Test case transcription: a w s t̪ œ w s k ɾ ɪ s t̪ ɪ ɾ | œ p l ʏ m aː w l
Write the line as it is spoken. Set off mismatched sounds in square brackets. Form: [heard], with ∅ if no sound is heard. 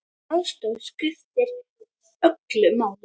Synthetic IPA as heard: a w s t̪ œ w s k ɾ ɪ [f] t̪ ɪ ɾ | œ [k] l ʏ m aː w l